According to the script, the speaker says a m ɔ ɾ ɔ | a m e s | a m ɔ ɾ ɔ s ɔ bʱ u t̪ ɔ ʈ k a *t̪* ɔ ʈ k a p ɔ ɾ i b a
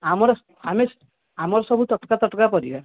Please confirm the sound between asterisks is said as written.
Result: yes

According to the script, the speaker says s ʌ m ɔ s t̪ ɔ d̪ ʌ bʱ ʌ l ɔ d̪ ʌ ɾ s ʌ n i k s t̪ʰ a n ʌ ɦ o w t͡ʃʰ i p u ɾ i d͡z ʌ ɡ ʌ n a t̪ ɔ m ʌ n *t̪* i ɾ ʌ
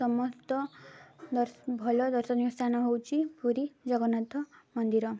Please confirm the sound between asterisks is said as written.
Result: no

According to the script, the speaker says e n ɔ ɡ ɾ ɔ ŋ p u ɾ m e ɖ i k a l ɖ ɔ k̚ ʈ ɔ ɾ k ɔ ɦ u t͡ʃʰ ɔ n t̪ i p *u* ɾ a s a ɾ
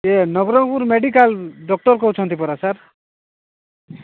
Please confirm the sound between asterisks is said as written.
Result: no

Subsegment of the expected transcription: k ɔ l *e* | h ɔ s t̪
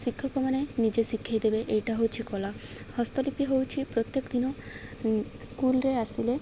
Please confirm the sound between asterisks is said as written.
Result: no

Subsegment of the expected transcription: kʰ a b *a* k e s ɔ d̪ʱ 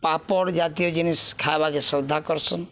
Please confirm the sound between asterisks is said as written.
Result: yes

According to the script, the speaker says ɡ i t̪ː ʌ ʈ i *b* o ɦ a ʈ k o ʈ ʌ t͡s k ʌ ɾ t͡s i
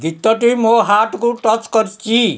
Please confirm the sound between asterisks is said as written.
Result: no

